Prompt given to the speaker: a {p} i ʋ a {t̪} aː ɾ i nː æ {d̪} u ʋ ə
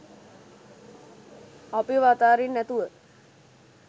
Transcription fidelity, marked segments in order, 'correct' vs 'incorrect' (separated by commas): correct, correct, incorrect